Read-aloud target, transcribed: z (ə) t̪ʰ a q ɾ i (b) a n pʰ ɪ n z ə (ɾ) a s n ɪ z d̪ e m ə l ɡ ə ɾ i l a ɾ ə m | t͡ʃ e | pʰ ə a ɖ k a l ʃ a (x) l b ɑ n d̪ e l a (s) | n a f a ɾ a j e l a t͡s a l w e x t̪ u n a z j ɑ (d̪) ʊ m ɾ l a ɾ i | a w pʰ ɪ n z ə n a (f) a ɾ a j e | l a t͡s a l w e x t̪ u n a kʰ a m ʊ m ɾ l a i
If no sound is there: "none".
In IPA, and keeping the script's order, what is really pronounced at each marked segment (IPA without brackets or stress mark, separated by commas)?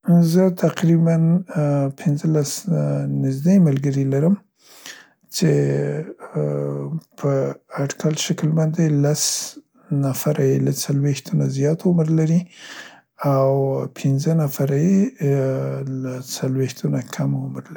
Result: ə, b, l, k, s, t̪, f